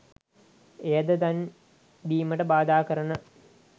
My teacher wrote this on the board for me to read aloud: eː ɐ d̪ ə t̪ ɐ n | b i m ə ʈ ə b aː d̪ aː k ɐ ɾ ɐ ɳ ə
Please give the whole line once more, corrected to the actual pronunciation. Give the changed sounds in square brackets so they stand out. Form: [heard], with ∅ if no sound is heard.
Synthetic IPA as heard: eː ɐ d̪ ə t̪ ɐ n | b [iː] m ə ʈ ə b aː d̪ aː k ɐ ɾ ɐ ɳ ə